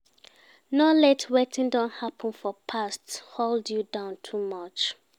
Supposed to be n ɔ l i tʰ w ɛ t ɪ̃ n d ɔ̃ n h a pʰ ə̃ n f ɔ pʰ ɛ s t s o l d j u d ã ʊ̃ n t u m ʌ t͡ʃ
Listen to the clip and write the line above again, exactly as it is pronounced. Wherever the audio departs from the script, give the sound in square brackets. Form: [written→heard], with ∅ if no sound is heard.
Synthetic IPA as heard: n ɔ l [i→ɛ] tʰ w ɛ t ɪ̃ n d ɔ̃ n h a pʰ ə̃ n f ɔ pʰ [ɛ→a] s t [s→h] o l d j u d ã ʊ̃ n [t→tʰ] u m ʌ t͡ʃ